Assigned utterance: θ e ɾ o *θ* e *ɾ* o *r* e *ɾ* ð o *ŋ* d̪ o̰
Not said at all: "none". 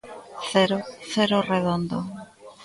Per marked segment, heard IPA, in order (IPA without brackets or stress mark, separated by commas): θ, ɾ, r, none, n